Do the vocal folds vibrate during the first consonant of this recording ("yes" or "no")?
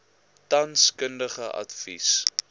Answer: no